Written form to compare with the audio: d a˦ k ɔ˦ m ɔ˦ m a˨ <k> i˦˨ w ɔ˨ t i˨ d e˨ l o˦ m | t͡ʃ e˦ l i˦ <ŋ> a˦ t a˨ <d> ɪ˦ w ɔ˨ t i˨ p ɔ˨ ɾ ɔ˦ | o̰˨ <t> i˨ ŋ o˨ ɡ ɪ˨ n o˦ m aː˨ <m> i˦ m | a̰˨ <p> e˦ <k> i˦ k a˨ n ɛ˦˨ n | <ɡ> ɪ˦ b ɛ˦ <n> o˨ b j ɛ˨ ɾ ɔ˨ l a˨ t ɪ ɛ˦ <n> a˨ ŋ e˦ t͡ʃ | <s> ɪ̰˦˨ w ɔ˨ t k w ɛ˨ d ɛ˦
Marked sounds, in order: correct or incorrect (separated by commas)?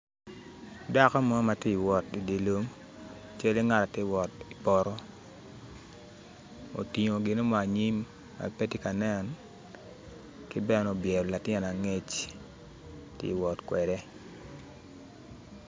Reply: incorrect, correct, incorrect, correct, incorrect, correct, incorrect, incorrect, correct, correct, incorrect